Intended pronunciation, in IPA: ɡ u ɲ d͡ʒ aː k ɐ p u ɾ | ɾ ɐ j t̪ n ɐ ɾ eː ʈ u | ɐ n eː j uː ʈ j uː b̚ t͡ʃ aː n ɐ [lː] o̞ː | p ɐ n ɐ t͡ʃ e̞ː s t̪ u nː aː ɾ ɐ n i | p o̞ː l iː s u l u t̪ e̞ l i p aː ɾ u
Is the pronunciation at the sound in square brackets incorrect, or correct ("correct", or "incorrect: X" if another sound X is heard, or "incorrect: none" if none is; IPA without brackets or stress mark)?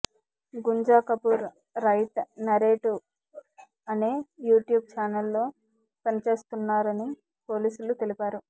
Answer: correct